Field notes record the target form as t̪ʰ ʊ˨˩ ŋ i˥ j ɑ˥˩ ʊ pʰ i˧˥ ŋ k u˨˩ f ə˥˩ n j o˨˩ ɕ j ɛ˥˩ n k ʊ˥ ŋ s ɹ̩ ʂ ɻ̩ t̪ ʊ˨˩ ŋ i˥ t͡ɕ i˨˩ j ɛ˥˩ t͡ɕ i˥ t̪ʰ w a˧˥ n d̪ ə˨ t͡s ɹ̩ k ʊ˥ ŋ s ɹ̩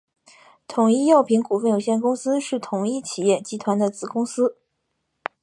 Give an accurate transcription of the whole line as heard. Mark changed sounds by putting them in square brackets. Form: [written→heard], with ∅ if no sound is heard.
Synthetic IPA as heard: t̪ʰ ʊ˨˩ ŋ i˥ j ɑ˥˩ ʊ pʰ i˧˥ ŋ k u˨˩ f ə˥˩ n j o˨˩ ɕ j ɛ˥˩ n k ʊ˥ ŋ s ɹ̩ ʂ ɻ̩ [t̪→t̪ʰ] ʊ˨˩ ŋ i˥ [t͡ɕ→t͡ɕʰ] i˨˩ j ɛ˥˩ t͡ɕ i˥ t̪ʰ w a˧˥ n d̪ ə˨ t͡s ɹ̩ k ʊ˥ ŋ s ɹ̩